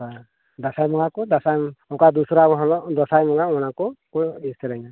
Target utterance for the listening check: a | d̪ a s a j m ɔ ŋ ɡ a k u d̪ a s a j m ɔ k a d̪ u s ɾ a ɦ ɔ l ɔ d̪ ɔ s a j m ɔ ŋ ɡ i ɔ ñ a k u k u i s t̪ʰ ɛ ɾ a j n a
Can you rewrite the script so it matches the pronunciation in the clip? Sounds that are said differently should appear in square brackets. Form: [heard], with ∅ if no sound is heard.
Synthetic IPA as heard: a | d̪ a s a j m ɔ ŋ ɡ a k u d̪ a s a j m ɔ k a d̪ u s ɾ a ɦ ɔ l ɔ d̪ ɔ s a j m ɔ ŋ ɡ [a] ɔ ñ a k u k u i s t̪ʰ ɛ ɾ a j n a